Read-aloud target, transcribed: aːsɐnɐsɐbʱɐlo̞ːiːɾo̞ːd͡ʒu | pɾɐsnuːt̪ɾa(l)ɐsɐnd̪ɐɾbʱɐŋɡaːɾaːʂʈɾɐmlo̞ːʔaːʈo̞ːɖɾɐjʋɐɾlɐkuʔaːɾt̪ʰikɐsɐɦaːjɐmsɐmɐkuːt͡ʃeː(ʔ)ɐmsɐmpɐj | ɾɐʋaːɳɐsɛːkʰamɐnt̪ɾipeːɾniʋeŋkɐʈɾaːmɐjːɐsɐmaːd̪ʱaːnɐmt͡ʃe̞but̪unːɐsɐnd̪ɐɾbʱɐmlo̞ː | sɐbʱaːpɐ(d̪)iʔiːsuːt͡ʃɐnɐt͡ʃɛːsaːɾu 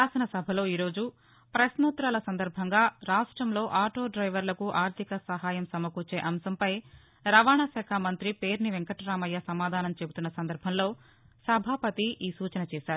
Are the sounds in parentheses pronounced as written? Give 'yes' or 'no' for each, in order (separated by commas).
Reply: yes, yes, no